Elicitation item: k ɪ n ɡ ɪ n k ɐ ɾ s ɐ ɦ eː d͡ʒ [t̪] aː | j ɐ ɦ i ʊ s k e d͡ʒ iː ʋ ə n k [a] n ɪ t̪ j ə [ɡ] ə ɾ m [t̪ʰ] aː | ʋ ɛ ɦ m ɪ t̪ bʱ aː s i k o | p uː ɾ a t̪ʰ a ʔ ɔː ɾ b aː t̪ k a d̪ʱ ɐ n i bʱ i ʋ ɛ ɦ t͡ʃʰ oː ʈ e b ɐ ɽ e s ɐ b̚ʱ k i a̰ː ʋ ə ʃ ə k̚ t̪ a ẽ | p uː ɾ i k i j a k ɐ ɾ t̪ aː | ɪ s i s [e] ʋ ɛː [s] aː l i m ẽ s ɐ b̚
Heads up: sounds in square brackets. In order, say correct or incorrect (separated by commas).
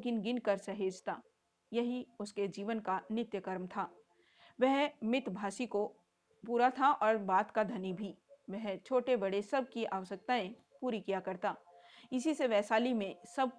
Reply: correct, correct, incorrect, correct, correct, correct